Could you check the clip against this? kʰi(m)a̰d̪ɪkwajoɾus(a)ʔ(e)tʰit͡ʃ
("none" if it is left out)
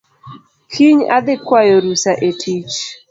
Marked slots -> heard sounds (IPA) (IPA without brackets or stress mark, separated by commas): ɲ, a, e